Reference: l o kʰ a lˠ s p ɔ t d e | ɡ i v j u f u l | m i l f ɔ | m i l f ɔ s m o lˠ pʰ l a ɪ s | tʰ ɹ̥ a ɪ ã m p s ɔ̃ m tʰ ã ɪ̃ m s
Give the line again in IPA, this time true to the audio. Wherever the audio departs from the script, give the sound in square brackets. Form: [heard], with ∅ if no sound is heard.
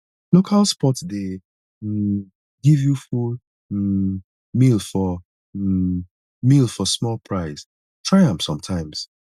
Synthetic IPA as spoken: l o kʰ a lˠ s p ɔ t d e | ɡ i v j u f u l | m i l f ɔ | m i l f ɔ s m [ɔ] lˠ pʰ [ɹ] a ɪ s | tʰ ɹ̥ a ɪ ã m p s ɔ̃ m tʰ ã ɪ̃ m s